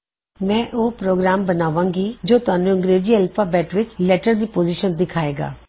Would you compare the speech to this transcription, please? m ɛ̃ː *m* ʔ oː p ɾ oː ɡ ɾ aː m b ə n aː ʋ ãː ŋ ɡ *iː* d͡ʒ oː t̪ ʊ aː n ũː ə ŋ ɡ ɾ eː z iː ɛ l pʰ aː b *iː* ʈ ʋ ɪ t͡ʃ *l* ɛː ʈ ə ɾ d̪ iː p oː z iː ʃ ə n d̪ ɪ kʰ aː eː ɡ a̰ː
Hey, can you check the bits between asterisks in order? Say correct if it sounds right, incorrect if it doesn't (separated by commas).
incorrect, correct, incorrect, correct